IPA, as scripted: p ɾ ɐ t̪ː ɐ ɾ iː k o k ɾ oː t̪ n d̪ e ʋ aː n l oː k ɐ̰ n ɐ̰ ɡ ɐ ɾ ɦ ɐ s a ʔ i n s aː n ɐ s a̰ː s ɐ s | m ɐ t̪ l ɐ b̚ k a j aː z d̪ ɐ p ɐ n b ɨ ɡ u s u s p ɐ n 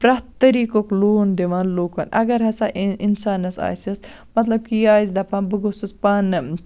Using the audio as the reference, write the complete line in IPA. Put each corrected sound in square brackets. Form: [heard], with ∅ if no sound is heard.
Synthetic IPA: p ɾ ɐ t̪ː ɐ ɾ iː k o k [l] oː [∅] n d̪ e ʋ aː n l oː k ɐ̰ n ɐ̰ ɡ ɐ ɾ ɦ ɐ s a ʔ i n s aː n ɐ s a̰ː s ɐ s | m ɐ t̪ l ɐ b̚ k [i] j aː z d̪ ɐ p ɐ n b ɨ ɡ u s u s p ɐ n